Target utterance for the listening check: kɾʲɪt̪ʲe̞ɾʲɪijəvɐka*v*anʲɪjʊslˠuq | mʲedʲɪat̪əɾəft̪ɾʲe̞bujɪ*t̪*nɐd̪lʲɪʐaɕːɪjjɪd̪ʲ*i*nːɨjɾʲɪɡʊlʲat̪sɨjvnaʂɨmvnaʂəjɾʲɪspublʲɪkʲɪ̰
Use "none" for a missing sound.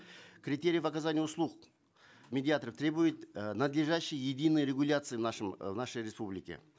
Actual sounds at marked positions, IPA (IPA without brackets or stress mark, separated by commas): z, t̪, i